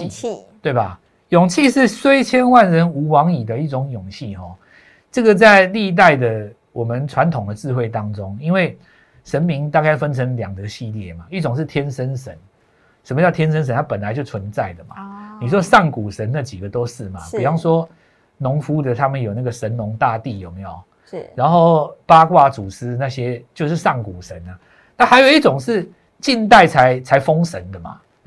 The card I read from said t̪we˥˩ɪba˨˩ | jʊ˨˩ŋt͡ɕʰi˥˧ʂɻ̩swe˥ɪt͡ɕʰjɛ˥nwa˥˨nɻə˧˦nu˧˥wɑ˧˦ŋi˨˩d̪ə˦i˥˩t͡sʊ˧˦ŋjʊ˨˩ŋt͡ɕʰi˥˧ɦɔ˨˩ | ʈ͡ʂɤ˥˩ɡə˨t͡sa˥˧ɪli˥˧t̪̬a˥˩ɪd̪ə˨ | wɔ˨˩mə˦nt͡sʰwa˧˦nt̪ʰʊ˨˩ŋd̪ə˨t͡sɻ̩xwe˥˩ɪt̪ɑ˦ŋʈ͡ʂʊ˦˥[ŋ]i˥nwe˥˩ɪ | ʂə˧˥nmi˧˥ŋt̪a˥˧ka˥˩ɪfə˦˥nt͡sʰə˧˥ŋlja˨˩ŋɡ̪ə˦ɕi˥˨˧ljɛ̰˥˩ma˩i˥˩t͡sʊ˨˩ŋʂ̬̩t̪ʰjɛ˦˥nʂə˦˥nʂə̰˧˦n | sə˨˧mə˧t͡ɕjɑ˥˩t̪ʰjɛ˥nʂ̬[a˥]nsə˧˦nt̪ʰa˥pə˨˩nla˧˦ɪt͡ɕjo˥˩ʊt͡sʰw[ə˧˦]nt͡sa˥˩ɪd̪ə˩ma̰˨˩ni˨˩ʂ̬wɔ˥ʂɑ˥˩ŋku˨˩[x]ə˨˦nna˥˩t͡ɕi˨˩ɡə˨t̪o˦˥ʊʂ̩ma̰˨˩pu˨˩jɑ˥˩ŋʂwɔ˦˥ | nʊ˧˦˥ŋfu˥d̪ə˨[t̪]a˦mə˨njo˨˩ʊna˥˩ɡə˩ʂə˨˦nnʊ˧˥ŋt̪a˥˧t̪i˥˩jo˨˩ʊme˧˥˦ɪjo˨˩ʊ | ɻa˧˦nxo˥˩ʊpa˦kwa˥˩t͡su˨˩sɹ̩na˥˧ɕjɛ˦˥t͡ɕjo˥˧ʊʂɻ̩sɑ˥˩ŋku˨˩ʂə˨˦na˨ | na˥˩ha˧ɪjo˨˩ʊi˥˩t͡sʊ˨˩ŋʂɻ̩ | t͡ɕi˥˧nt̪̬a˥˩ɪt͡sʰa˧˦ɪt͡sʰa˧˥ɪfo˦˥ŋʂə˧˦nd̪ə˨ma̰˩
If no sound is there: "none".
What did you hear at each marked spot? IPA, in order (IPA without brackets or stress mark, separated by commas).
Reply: ŋ, ə˥, ə˧˦, ʂ, t̪ʰ